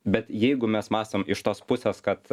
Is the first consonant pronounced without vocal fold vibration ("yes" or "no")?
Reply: no